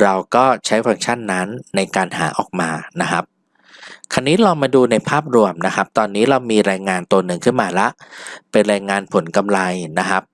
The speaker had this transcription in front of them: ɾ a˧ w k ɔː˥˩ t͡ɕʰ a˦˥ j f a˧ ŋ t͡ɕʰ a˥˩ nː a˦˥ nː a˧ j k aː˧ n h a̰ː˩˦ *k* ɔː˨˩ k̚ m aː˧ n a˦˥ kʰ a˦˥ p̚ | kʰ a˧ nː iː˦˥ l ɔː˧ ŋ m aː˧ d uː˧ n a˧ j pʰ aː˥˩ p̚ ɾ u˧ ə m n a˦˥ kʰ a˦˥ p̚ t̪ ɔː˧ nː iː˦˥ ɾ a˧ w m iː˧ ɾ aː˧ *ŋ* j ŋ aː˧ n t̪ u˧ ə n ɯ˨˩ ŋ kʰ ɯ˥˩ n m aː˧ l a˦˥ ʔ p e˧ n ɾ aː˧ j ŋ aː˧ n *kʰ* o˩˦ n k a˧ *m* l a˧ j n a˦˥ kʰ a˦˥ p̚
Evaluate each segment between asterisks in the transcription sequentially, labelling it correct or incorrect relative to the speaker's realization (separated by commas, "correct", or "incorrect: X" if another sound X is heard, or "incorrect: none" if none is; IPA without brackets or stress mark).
incorrect: ʔ, incorrect: none, incorrect: pʰ, correct